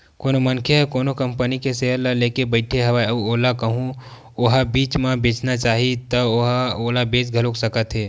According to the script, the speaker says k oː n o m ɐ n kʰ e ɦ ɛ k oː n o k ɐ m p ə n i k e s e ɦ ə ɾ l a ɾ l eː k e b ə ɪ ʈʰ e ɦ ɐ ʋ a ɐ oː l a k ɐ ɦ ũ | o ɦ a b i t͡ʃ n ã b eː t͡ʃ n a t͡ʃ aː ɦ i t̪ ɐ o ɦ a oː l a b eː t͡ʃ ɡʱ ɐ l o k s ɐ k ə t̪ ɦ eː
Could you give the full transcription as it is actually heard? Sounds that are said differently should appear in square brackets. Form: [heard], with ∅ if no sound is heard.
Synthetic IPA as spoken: k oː n o m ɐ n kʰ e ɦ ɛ k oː n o k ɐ m p ə n i k e s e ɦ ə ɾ l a [∅] l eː k e b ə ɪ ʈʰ e ɦ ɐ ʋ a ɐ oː l a k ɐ ɦ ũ | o ɦ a b [iː] t͡ʃ [m] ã b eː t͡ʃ n a t͡ʃ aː ɦ i t̪ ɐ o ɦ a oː l a b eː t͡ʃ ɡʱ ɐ l o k s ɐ k ə t̪ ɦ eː

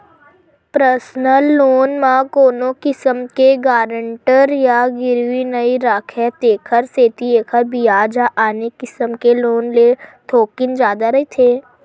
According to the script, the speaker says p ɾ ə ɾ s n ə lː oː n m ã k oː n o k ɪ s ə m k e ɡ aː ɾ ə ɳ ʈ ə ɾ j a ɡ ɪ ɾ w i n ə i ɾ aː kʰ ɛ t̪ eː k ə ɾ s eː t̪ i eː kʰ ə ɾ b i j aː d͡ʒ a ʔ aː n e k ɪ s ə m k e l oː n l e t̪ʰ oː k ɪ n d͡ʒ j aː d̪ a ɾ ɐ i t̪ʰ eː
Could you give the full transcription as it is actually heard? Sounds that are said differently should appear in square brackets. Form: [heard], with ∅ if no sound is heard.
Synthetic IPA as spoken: p ɾ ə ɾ s n ə lː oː n m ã k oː n o k ɪ s ə m k e ɡ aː ɾ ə ɳ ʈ ə ɾ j a ɡ ɪ ɾ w i n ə i ɾ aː kʰ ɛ t̪ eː [kʰ] ə ɾ s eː t̪ i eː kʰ ə ɾ b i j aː d͡ʒ a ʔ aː n e k ɪ s ə m k e l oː n l e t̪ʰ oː k ɪ n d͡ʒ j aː d̪ a ɾ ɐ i t̪ʰ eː

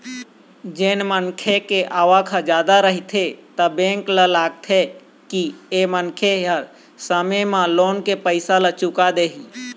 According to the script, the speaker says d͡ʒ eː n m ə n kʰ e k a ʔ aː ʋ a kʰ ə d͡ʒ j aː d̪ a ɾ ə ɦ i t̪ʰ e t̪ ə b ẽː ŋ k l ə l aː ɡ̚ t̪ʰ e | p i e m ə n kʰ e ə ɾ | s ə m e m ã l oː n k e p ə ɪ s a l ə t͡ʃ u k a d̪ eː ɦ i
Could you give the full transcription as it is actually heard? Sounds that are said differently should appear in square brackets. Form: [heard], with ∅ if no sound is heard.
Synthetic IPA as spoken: d͡ʒ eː n m ə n kʰ e k [e] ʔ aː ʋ a kʰ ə d͡ʒ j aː d̪ a ɾ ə ɦ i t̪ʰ e t̪ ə b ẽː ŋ k l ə l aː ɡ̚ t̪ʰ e | [k] i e m ə n kʰ e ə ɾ | s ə m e m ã l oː n k e p ə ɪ s a l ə t͡ʃ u k a d̪ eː ɦ i

